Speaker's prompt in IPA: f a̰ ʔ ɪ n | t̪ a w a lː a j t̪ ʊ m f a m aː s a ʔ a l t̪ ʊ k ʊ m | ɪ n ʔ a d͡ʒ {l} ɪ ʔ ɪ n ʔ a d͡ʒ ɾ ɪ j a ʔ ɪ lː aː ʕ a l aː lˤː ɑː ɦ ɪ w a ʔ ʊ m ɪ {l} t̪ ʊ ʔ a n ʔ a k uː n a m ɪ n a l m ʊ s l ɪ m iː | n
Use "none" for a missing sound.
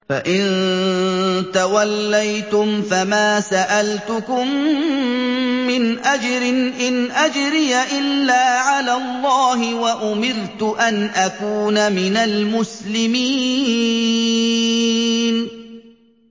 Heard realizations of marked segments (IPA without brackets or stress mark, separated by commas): ɾ, ɾ